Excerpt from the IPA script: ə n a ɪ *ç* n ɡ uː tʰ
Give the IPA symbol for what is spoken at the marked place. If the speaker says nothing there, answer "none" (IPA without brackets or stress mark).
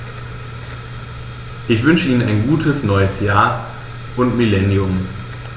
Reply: none